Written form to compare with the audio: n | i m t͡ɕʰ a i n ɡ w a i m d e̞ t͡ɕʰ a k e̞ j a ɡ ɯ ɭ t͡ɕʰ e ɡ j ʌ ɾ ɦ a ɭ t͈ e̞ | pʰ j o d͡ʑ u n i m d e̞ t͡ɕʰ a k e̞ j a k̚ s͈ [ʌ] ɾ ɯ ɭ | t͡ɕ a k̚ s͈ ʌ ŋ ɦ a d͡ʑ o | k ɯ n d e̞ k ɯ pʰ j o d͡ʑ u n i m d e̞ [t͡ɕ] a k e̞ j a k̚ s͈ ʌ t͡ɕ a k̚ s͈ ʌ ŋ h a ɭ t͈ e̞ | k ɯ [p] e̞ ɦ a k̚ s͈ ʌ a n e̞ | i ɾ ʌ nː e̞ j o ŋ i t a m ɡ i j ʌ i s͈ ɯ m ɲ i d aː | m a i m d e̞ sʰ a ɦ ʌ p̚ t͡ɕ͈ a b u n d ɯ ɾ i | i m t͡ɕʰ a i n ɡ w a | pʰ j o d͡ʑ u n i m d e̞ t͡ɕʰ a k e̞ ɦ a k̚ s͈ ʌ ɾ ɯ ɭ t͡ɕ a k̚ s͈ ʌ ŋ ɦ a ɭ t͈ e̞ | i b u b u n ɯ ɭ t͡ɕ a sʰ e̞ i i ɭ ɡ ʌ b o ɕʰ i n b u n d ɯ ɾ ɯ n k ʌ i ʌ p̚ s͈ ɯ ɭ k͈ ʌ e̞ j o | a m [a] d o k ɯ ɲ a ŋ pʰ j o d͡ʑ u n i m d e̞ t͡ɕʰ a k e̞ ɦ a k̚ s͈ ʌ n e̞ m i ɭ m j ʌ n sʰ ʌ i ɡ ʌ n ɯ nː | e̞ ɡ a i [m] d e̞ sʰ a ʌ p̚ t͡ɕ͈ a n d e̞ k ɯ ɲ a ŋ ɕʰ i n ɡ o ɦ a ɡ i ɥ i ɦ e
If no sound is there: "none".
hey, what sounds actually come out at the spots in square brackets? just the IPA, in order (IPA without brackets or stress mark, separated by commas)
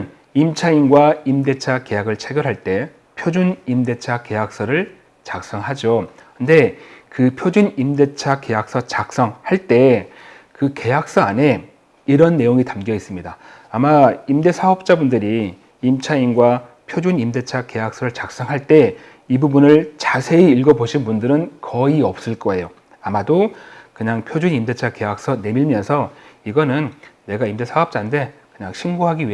ʌ, t͡ɕʰ, k, a, m